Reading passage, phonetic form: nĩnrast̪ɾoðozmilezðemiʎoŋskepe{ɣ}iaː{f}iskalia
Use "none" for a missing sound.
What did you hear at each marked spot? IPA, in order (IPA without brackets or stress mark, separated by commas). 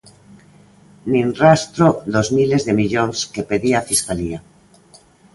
ð, f